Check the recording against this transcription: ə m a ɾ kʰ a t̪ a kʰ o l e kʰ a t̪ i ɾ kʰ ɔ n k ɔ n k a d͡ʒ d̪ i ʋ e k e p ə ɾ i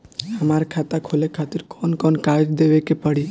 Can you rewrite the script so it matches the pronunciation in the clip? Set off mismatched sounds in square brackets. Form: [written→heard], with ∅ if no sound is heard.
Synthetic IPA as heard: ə m a ɾ kʰ a t̪ a kʰ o l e kʰ a t̪ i ɾ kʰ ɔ n k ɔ n k a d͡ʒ d̪ [i→e] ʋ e k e p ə [ɾ→ɽ] i